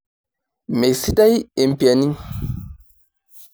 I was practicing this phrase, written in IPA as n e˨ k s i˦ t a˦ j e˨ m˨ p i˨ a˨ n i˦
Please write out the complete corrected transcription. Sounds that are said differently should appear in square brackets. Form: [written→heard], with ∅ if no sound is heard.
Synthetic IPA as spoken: [n→m] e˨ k s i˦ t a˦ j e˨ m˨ p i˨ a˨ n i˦